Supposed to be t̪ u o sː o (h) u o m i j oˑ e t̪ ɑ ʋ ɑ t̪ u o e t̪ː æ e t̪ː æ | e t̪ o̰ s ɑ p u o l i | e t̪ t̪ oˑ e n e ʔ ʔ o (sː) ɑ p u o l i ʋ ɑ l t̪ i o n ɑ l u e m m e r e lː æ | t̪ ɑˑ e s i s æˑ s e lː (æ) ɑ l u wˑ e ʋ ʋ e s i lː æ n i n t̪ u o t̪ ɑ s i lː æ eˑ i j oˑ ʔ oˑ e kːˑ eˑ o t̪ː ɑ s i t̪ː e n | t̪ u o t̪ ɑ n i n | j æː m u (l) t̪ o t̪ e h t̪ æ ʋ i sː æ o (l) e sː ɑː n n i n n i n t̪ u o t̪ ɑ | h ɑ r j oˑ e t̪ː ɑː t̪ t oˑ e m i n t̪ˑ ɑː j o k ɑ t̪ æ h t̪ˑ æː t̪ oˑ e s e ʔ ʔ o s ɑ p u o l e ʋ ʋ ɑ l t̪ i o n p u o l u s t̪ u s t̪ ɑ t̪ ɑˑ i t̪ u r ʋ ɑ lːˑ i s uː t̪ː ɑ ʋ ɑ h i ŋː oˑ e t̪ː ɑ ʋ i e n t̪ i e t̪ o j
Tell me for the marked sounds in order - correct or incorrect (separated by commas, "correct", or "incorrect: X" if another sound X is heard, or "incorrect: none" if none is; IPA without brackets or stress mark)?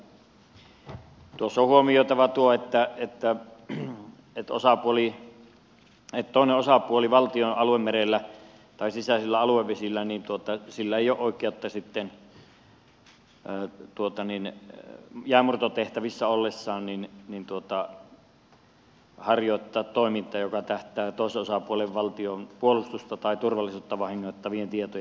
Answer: correct, incorrect: s, correct, incorrect: r, incorrect: lː